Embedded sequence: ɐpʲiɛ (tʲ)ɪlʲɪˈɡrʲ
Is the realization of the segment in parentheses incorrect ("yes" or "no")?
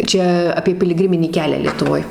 yes